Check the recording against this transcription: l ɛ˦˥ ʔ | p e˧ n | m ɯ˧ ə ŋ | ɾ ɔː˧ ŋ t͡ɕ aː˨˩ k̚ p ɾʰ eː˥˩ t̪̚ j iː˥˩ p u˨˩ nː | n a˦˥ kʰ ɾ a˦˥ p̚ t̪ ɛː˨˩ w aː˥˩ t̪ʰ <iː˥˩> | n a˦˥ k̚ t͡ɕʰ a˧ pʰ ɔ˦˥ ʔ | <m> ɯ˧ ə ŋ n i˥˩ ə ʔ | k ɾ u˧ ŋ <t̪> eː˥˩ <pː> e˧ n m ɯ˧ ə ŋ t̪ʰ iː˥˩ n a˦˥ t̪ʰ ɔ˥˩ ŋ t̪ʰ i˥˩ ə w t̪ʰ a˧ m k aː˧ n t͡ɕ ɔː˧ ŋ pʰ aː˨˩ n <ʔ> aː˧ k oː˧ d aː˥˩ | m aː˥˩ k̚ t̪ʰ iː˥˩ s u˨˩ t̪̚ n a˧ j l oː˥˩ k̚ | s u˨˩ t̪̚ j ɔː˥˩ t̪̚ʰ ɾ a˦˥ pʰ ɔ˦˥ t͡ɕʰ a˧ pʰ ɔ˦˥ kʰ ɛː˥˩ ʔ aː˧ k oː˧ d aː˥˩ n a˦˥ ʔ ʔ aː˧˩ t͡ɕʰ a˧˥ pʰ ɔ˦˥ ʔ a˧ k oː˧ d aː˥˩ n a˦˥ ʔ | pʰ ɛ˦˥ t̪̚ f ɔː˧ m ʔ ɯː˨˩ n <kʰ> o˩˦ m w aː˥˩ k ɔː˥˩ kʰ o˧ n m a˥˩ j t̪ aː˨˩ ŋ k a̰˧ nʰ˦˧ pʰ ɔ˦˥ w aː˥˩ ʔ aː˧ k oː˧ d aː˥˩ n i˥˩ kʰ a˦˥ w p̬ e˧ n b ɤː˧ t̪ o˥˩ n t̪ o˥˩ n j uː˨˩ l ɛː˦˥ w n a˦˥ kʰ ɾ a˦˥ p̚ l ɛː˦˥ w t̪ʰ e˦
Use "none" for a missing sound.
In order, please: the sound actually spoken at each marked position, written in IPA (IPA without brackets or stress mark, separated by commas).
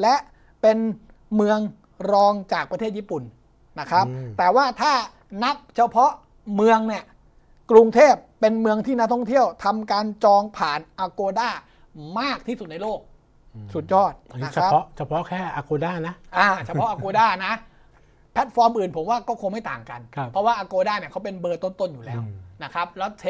aː˥˩, m, t̪ʰ, pː, ʔ, pʰ